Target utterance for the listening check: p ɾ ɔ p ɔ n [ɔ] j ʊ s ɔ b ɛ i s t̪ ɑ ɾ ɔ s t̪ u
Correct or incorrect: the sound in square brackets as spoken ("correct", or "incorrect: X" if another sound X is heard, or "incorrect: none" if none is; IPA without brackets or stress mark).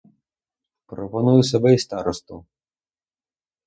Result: incorrect: u